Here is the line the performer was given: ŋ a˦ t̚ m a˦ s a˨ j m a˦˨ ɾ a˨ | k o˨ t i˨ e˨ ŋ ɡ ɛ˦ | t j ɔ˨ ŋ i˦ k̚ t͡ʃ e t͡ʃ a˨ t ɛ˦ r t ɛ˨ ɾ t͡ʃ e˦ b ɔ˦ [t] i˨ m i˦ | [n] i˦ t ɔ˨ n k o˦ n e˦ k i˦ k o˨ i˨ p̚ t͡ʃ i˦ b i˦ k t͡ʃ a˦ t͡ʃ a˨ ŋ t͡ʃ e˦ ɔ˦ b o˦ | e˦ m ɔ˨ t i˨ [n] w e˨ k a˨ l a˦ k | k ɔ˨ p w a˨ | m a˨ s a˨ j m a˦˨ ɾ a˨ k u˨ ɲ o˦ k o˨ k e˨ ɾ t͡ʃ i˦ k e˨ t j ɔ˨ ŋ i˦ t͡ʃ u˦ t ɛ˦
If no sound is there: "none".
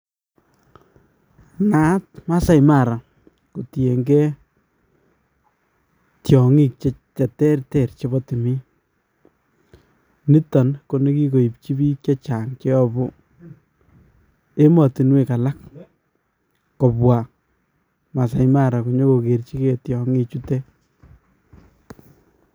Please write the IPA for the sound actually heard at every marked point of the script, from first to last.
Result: t, n, n

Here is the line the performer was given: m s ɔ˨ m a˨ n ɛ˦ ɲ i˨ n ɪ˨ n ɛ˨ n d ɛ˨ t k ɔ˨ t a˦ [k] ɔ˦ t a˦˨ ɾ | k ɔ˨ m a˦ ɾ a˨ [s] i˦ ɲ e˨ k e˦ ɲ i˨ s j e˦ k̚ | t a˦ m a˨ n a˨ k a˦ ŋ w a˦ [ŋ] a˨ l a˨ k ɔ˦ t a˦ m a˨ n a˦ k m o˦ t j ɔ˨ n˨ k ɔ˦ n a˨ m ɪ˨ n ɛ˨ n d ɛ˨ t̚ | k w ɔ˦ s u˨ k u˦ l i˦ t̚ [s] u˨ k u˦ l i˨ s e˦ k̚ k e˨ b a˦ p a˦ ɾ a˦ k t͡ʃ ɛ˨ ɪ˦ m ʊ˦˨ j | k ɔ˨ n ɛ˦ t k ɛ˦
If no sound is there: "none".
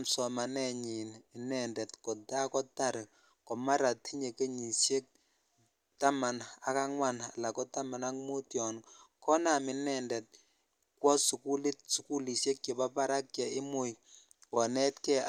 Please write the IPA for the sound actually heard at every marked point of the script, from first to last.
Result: k, t, n, s

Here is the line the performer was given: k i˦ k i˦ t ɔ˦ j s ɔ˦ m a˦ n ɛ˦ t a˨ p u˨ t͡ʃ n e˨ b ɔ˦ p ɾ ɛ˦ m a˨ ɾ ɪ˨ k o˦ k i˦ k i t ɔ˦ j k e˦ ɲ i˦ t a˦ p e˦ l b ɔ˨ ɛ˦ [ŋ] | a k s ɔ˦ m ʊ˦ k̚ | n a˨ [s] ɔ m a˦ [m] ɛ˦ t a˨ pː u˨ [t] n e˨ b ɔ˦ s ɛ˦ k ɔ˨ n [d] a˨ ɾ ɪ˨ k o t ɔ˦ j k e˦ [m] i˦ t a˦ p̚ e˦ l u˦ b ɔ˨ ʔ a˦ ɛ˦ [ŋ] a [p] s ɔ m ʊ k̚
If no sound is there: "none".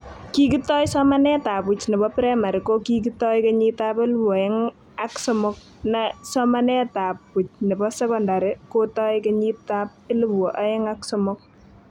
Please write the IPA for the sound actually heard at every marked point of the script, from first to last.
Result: ŋ, s, n, t͡ʃ, d, ɲ, ŋ, k

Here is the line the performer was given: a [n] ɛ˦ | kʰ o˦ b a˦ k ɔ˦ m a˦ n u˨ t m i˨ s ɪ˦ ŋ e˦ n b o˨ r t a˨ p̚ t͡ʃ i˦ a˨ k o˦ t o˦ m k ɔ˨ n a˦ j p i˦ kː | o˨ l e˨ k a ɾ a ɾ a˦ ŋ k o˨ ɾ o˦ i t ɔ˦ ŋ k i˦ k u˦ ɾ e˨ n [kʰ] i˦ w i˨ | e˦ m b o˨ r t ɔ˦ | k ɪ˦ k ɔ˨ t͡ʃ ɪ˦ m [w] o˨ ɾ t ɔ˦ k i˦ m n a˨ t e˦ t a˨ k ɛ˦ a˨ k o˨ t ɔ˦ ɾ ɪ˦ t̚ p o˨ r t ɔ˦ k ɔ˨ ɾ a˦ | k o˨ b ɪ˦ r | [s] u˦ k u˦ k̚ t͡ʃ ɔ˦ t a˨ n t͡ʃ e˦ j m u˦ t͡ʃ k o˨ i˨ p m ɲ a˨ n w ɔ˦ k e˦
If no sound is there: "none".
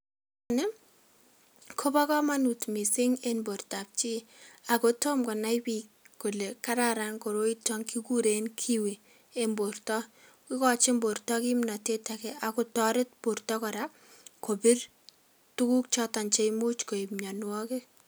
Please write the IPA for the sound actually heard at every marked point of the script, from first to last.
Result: n, kʰ, b, t

